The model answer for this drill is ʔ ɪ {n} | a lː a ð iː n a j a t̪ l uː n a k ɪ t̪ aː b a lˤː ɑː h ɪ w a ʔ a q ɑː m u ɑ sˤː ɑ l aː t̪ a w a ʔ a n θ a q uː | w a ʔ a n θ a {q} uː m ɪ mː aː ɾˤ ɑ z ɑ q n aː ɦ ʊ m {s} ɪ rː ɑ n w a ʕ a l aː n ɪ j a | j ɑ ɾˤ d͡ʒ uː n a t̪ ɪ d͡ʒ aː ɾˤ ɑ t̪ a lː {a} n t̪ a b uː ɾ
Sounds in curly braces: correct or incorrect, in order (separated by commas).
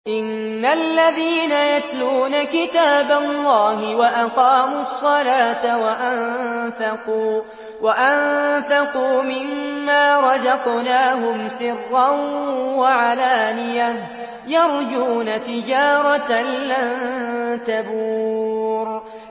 incorrect, correct, correct, correct